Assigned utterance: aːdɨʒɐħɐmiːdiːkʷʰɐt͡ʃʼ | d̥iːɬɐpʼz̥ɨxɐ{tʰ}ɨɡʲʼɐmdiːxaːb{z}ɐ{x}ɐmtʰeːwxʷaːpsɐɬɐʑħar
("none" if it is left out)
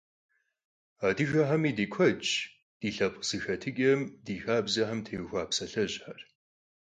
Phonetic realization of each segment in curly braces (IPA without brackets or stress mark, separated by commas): tʰ, z, ħ